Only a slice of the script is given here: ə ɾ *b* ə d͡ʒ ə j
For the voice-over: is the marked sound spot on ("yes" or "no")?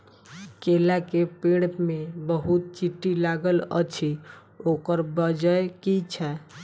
yes